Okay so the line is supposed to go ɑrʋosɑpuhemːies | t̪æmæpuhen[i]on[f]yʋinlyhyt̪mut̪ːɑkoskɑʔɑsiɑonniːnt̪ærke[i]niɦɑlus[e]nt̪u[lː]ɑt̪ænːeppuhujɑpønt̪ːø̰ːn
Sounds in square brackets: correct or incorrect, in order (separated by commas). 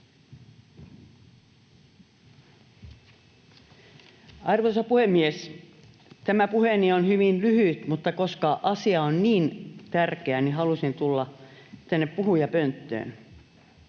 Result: correct, incorrect, incorrect, incorrect, correct